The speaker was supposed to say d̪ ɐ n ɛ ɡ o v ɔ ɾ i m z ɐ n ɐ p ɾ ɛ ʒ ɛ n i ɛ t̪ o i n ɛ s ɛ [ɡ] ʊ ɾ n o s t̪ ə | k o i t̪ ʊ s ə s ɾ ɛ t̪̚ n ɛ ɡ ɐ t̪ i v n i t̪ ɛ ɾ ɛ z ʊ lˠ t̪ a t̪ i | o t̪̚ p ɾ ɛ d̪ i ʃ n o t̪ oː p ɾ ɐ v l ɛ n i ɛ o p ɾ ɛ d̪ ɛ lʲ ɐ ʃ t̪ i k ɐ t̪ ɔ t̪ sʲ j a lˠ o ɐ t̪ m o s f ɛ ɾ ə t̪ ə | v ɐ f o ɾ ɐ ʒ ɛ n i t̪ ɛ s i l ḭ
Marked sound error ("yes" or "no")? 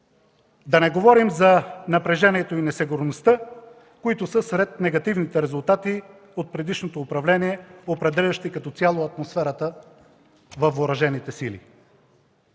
no